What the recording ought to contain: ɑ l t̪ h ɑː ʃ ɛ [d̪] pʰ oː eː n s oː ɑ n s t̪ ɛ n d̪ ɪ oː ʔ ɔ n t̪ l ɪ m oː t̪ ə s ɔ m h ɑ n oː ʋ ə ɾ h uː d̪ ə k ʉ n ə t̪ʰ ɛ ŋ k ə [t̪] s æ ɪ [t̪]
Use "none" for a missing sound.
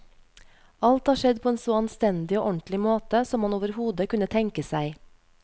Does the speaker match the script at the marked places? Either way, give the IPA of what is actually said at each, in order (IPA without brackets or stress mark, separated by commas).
d̪, none, none